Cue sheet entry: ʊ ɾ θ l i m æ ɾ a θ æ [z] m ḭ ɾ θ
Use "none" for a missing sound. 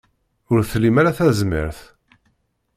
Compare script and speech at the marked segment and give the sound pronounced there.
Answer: z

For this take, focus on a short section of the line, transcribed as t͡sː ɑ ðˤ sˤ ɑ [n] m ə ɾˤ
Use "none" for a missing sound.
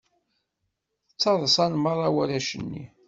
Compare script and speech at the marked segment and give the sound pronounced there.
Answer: n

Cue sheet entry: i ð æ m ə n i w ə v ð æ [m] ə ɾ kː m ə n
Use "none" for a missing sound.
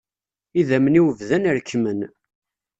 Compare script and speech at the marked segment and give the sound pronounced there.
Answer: n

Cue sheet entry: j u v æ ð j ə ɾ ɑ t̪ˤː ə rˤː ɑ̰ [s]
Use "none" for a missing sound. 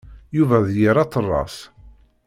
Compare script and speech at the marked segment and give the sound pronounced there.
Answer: s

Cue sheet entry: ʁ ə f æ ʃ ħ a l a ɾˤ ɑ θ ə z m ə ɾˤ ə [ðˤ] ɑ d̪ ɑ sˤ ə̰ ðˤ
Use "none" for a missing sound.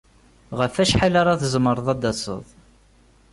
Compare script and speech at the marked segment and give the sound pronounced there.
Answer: ðˤ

